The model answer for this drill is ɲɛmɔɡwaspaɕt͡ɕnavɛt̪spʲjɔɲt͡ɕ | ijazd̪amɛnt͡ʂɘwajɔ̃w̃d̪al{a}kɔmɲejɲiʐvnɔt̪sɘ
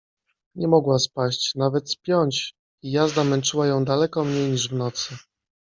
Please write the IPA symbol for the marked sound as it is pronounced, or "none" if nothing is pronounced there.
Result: ɛ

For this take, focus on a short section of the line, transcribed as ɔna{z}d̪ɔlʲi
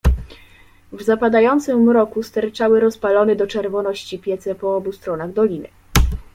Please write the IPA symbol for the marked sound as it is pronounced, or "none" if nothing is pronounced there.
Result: ɣ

